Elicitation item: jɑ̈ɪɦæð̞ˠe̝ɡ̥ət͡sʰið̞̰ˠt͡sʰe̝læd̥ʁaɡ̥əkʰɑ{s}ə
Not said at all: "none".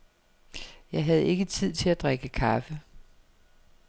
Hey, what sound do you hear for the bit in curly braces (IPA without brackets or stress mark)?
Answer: f